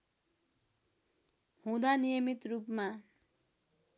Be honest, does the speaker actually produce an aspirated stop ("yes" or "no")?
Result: no